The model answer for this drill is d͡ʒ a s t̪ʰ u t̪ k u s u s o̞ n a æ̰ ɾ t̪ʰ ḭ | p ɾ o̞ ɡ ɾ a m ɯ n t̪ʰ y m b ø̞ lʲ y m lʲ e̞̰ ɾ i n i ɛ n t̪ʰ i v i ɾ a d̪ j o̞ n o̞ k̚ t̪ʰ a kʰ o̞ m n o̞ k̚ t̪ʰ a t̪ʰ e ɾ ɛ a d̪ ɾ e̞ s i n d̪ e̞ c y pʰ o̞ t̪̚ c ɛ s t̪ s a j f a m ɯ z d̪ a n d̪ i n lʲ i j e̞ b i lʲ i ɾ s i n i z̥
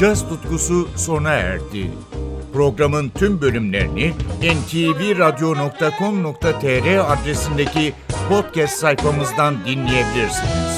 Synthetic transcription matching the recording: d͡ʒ a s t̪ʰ u t̪ k u s u s o̞ n a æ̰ ɾ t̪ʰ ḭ | p ɾ o̞ ɡ ɾ a m ɯ n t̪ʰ y m b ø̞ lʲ y m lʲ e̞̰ ɾ i n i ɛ n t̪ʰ i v i ɾ a d̪ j o̞ n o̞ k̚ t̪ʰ a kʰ o̞ m n o̞ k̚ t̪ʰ a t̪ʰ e ɾ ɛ a d̪ ɾ e̞ s i n d̪ e̞ c i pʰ o̞ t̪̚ c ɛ s t̪ s a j f a m ɯ z d̪ a n d̪ i n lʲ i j e̞ b i lʲ i ɾ s i n i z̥